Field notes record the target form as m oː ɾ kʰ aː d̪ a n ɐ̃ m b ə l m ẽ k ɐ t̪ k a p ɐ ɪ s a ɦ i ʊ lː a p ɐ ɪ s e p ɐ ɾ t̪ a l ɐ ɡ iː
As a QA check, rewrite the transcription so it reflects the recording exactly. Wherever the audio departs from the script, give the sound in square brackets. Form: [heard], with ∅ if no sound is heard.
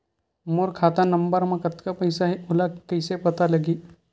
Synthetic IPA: m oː ɾ kʰ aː [t̪] a n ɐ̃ m b ə [ɾ] m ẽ k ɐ t̪ k a p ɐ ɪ s a ɦ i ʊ [l] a [k] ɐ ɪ s e p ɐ [∅] t̪ a l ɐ ɡ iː